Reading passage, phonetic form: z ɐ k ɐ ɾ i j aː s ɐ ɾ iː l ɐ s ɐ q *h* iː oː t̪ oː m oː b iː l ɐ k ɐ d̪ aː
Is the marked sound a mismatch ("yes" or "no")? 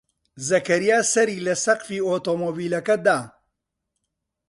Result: yes